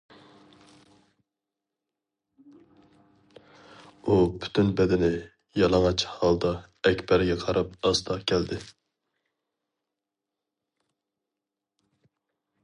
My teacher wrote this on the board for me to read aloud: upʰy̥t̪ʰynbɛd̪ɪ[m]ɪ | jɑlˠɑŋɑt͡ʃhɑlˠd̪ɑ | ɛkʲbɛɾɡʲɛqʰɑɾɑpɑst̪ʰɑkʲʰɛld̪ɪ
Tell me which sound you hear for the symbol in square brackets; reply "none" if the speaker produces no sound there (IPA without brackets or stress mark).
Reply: n